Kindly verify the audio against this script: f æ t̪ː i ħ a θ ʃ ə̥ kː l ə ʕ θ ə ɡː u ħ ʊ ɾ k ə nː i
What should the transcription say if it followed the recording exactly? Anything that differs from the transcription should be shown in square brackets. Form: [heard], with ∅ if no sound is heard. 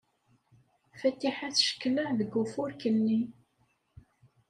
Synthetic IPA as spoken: f æ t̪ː i ħ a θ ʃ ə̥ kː l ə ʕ [ð] ə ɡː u [f] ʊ ɾ k ə nː i